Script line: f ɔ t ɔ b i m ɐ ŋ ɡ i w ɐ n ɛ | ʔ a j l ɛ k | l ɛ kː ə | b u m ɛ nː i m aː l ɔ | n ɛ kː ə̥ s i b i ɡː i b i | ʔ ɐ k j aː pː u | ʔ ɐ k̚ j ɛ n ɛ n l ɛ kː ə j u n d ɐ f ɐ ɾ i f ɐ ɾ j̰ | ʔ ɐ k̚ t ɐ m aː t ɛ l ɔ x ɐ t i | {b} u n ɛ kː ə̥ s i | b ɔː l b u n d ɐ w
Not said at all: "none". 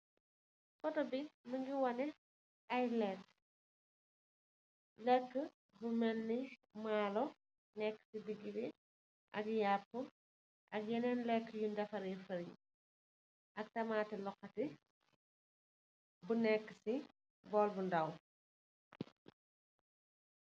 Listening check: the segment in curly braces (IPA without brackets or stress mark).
b